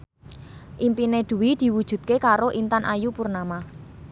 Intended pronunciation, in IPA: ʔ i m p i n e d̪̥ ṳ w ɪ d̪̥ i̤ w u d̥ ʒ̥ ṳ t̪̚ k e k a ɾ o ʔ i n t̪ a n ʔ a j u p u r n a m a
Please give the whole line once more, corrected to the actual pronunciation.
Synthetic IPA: ʔ i m p i n e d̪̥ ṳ w i d̪̥ i̤ w u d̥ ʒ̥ ṳ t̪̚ k e k a ɾ o ʔ i n t̪ a n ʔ a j u p u r n a m a